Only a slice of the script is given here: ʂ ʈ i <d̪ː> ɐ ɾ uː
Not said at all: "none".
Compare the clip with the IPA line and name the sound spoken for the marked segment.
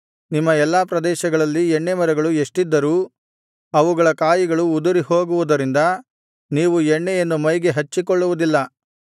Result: d̪ː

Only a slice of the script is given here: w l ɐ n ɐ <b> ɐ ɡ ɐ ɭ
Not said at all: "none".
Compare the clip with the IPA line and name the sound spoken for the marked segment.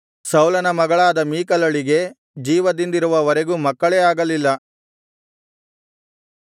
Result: m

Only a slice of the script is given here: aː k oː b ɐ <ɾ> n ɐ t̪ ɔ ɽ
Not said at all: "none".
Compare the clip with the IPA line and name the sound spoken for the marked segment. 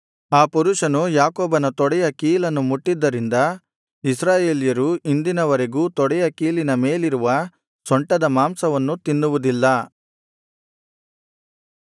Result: none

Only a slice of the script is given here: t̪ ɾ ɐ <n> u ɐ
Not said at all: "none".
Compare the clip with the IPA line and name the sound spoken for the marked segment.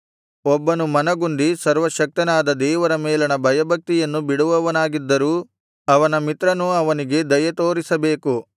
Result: n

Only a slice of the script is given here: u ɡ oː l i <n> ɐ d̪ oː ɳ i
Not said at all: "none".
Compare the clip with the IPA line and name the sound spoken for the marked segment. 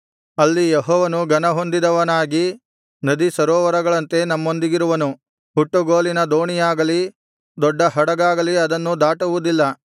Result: n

